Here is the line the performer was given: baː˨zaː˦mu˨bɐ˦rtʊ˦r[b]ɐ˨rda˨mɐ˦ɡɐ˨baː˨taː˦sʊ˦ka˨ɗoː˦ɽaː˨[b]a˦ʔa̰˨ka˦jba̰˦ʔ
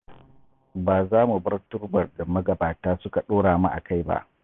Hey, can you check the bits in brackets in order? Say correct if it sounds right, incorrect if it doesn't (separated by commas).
correct, incorrect